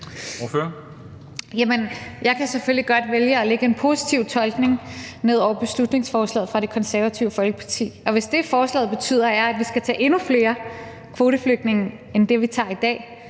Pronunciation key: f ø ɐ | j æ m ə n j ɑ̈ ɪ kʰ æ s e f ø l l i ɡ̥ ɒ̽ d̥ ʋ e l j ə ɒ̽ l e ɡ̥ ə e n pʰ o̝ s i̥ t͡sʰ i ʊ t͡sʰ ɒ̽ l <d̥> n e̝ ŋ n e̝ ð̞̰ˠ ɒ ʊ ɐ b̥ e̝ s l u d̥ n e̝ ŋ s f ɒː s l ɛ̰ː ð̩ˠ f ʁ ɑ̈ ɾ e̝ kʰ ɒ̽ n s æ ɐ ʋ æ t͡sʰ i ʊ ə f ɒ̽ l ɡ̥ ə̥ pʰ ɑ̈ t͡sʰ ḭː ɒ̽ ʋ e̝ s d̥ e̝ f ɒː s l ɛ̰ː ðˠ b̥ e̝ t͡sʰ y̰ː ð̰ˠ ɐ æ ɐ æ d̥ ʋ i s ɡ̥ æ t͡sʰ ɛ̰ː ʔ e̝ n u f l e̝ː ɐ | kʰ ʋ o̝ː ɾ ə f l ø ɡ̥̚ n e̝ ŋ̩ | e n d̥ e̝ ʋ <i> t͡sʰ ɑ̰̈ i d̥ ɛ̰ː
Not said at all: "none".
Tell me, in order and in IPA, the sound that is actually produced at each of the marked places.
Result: ɡ̥, i

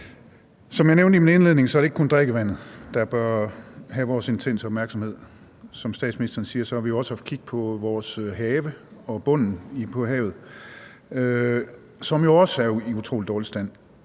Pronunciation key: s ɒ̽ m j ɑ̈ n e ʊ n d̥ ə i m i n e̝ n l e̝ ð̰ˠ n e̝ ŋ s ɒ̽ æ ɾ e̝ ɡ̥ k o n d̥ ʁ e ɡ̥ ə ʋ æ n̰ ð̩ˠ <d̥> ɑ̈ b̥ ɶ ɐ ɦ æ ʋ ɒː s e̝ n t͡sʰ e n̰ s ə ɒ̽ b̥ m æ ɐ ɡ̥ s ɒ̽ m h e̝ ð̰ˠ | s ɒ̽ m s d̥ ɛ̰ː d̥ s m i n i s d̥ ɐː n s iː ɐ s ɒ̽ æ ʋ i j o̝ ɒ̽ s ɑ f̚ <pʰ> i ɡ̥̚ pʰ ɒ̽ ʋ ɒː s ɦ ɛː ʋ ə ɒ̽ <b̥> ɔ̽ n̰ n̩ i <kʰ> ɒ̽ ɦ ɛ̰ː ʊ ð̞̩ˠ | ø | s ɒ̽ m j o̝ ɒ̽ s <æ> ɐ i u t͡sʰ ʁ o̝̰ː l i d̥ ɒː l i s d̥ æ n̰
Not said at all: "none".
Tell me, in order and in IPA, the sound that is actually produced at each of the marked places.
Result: d̥, kʰ, b̥, pʰ, æ

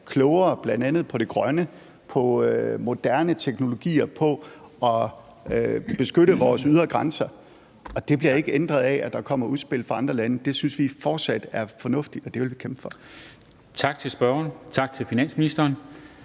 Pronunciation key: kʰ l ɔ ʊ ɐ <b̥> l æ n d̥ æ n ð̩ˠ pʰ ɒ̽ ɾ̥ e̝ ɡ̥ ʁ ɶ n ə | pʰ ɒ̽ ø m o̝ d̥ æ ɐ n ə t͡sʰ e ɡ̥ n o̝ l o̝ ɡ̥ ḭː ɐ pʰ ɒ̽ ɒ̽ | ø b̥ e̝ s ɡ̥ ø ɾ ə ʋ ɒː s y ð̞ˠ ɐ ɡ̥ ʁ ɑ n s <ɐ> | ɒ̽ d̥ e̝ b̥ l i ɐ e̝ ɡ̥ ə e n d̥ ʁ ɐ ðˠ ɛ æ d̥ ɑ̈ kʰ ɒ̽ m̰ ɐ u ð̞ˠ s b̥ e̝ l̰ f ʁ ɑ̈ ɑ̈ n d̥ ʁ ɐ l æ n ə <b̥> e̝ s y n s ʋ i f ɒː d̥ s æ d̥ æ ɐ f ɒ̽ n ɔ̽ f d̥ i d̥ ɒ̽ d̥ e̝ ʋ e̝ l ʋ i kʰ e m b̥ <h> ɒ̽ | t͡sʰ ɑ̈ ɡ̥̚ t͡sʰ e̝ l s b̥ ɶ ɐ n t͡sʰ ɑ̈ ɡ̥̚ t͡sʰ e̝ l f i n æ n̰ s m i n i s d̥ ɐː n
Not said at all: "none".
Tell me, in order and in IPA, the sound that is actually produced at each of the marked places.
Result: b̥, ɐ, d̥, f

